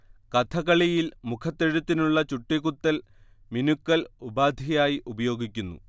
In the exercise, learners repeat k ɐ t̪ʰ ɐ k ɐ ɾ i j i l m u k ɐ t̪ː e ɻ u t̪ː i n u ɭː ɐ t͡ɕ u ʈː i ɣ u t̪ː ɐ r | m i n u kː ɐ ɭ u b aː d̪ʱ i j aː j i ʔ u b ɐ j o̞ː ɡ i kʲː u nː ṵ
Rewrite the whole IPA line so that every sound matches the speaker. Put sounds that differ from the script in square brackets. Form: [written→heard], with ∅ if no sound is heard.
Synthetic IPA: k ɐ t̪ʰ ɐ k ɐ [ɾ→ɭ] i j i l m u [k→kʰ] ɐ t̪ː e ɻ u t̪ː i n u ɭː ɐ t͡ɕ u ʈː i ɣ u t̪ː ɐ [r→l] | m i n u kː ɐ [ɭ→l] u b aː d̪ʱ i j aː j i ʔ u b ɐ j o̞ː ɡ i kʲː u nː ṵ